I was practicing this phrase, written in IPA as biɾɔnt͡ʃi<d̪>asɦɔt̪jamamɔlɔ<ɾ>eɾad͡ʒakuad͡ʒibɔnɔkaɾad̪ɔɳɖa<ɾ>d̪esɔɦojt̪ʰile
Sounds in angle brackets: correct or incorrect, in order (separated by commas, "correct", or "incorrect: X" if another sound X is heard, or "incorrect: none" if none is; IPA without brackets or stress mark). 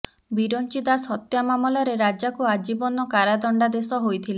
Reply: correct, correct, incorrect: none